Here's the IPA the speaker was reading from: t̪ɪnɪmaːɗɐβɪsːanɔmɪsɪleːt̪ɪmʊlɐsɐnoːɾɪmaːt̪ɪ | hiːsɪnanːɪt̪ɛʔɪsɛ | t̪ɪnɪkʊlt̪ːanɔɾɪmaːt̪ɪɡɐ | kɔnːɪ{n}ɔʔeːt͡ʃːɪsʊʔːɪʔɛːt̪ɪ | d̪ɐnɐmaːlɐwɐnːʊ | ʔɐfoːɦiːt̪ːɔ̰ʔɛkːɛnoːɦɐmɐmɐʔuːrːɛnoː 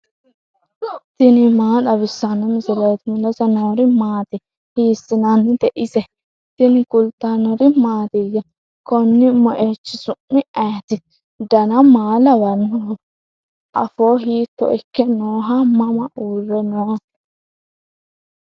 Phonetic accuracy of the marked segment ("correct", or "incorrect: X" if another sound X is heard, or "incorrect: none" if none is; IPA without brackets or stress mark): incorrect: m